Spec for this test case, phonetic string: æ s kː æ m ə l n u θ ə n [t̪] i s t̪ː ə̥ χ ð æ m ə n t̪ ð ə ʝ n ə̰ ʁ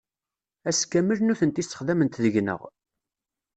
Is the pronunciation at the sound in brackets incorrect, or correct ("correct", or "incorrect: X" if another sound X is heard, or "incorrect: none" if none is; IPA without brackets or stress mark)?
correct